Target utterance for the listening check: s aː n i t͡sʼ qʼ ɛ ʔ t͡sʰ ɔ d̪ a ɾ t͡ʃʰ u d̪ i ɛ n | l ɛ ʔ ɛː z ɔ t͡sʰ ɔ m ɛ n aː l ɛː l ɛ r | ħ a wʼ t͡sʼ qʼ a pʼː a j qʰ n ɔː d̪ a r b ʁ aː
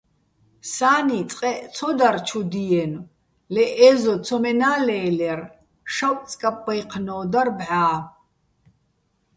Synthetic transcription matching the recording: s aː n i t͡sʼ qʼ ɛ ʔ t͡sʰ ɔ d̪ a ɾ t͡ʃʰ u d̪ i ɛ n | l ɛ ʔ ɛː z ɔ t͡sʰ ɔ m ɛ n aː l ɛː l ɛ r | ʃ a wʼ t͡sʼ kʼ a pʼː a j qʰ n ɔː d̪ a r b ʕ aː

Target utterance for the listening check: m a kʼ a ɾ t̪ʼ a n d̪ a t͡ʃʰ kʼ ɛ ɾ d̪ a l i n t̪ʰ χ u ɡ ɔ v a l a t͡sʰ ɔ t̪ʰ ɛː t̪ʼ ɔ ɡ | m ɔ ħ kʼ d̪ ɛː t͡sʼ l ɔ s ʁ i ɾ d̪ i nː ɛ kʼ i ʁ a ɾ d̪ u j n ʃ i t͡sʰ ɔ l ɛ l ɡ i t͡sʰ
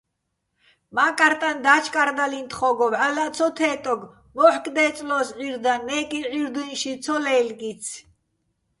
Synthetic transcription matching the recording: m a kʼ a ɾ t̪ʼ a n d̪ a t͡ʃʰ kʼ a ɾ d̪ a l i n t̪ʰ χ ɔ ɡ ɔ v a l a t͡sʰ ɔ t̪ʰ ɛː t̪ʼ ɔ ɡ | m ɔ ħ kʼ d̪ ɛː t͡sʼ l ɔ s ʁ i ɾ d̪ a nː ɛ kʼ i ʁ i ɾ d̪ u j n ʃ i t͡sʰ ɔ l ɛ l ɡ i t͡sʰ

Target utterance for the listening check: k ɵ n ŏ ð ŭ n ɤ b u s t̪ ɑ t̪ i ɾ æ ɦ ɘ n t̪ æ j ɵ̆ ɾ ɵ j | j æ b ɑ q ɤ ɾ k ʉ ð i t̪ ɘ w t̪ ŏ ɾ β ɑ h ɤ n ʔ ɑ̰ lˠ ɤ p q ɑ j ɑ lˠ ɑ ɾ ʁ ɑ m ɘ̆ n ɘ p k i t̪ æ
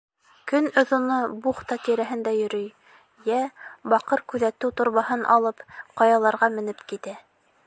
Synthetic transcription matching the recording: k ɵ n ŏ ð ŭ n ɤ b u χ t̪ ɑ t̪ i ɾ æ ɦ ɘ n d̪ æ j ɵ̆ ɾ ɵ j | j æ b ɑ q ɤ ɾ k ʉ ð æ t̪ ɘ w t̪ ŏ ɾ β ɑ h ɤ n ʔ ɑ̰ lˠ ɤ p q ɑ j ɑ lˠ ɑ ɾ ʁ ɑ m ɘ̆ n ɘ p k i t̪ æ

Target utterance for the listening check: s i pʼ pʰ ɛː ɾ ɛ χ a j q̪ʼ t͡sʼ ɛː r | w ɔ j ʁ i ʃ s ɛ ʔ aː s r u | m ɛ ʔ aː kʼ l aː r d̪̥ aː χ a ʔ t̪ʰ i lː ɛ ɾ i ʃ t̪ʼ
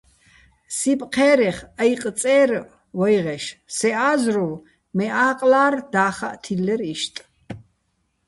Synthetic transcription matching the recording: s i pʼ qʰ ɛː ɾ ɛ χ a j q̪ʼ t͡sʼ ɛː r | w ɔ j ʁ ɛ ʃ s ɛ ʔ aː z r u | m ɛ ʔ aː qʼ l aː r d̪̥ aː χ a ʔ t̪ʰ i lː ɛ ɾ i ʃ t̪ʼ

